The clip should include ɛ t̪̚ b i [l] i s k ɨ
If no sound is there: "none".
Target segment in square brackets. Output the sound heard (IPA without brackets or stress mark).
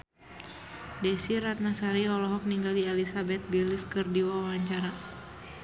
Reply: l